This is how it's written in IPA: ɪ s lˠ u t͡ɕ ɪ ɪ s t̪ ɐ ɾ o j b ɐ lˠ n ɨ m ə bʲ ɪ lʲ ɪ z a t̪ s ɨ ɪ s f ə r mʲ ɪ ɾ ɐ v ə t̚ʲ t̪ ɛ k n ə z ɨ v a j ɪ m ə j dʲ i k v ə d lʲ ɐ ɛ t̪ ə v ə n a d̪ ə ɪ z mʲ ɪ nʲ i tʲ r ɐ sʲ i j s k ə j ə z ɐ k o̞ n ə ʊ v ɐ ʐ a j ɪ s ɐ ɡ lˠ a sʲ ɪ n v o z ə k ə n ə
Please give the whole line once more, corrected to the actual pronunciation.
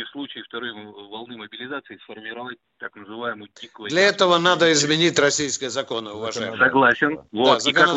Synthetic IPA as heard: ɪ s lˠ u t͡ɕ ɪ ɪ f t̪ ɐ ɾ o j v ɐ lˠ n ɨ m ə bʲ ɪ lʲ ɪ z a t̪ s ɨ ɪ s f ə r mʲ ɪ ɾ ɐ v a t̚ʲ t̪ a k n ə z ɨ v a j ɪ m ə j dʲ i k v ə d lʲ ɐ ɛ t̪ ə v ə n a d̪ ə ɪ z mʲ ɪ nʲ i tʲ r ɐ sʲ i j s k ə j ə z ɐ k o̞ n ə ʊ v ɐ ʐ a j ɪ s ɐ ɡ lˠ a sʲ ɪ n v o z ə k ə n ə